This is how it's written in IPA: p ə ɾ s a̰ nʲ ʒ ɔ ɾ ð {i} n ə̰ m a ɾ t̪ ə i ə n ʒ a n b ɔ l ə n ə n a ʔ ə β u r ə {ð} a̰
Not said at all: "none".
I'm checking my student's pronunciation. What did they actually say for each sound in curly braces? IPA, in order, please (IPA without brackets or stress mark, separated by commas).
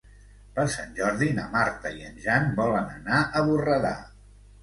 i, ð